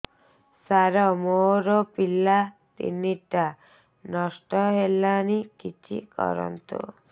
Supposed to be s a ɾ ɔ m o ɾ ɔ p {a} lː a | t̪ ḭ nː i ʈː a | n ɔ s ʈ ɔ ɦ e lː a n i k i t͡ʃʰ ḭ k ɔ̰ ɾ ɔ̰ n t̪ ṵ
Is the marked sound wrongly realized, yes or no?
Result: yes